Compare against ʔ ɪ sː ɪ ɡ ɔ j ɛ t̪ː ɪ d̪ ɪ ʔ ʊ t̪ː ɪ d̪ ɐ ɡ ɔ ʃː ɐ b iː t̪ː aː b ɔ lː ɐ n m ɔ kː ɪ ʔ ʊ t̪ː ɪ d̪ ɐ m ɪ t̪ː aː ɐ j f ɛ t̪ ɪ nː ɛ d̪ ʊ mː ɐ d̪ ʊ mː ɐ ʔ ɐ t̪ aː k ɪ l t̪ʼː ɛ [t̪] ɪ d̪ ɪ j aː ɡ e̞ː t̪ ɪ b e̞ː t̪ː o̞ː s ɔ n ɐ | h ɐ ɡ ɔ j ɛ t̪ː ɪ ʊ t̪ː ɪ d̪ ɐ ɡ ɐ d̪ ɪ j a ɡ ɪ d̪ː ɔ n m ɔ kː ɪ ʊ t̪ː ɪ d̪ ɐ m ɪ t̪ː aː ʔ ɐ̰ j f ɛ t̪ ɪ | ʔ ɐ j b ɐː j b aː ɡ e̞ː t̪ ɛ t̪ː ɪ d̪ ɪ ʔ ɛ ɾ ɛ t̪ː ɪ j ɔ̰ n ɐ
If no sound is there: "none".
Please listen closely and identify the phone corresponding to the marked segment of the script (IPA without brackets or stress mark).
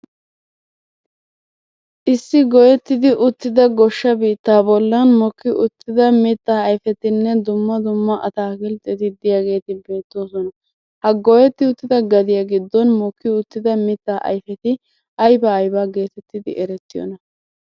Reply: t̪